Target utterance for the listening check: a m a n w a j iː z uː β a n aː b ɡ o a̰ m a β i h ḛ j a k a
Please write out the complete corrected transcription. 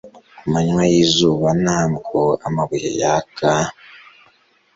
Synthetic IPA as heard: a m a ɲ w a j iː z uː β a n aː m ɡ o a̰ m a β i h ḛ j a k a